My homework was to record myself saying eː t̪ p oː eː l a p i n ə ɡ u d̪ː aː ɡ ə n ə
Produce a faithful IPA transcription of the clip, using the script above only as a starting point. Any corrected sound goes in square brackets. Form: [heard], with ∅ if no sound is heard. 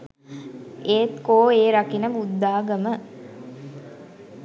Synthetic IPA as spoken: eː t̪ [k] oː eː [ɾ] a [k] i n ə [b] u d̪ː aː ɡ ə [m] ə